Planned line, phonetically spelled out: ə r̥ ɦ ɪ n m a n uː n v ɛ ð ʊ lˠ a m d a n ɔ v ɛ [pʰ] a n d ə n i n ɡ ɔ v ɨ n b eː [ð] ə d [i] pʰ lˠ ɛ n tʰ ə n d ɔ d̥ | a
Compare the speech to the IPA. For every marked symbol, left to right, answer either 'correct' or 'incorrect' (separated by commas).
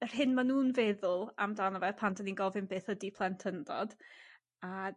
correct, incorrect, correct